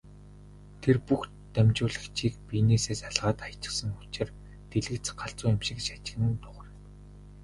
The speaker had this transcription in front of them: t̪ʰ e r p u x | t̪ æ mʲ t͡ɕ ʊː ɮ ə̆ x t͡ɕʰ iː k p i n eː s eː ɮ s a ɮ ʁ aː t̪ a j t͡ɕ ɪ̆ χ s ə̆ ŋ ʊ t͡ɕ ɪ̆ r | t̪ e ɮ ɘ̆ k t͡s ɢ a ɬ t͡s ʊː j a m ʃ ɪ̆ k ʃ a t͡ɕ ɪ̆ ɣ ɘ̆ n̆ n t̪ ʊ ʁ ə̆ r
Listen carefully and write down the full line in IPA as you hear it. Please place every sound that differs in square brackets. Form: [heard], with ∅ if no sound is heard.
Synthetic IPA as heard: t̪ʰ e r p u x | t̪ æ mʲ t͡ɕ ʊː ɮ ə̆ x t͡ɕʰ iː k p i n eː s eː [∅] s a ɮ ʁ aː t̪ a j t͡ɕ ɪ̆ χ s ə̆ ŋ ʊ t͡ɕ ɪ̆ r | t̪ e ɮ ɘ̆ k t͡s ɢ a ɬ t͡s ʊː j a m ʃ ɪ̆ k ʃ a t͡ɕ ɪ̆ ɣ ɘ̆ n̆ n t̪ ʊ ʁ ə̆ r